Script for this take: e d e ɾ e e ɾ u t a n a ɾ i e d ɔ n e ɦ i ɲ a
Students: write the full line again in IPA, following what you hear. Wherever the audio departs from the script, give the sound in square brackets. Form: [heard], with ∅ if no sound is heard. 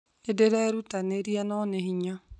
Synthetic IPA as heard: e d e ɾ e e ɾ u t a n [e] ɾ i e [n] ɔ n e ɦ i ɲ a